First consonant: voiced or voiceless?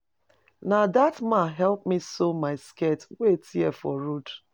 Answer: voiced